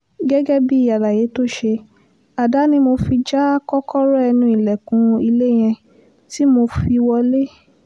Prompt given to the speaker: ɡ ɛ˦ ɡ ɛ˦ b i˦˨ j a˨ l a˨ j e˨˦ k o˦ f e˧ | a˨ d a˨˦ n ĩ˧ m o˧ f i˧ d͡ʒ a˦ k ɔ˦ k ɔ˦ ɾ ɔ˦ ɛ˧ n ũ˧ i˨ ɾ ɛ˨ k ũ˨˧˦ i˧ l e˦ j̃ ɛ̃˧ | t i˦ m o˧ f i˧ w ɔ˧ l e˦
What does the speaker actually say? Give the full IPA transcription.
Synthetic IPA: ɡ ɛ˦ ɡ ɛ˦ b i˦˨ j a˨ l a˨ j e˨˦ t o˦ ʃ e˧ | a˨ d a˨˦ n ĩ˧ m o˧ f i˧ d͡ʒ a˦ k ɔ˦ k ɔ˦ ɾ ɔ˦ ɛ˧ n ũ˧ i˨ l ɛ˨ k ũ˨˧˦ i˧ l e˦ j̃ ɛ̃˧ | t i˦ m o˧ f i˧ w ɔ˧ l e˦